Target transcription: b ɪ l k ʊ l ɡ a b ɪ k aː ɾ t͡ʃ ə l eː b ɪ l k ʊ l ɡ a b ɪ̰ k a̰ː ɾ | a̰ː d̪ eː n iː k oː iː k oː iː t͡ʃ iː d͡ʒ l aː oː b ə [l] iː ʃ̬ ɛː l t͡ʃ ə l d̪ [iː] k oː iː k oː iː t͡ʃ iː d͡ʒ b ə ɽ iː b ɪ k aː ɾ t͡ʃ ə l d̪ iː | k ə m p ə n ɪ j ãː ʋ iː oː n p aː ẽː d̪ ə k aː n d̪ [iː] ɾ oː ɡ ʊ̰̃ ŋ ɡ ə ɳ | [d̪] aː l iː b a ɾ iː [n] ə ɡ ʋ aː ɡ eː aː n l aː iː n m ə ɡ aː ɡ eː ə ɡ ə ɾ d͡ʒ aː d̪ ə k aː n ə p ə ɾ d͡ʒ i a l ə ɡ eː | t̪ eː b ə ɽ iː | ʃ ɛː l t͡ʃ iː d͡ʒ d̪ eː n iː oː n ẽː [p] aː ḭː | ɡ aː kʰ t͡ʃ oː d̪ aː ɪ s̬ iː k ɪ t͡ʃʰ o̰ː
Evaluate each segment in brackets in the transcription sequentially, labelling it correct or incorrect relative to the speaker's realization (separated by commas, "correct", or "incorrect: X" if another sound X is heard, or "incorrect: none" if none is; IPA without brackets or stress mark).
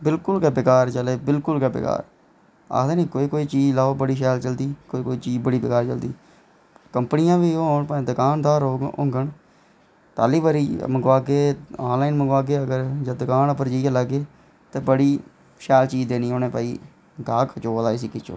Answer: incorrect: ɽ, correct, incorrect: aː, incorrect: t̪, incorrect: m, correct